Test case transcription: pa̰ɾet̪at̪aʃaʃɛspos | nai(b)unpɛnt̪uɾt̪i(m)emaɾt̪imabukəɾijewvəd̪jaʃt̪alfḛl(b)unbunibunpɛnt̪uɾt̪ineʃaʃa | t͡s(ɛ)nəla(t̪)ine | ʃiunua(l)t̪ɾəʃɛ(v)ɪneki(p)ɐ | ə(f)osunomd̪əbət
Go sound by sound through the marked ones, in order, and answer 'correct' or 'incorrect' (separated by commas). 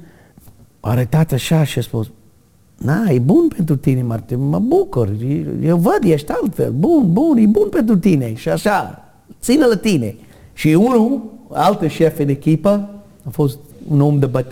correct, incorrect, correct, incorrect, correct, correct, incorrect, correct, correct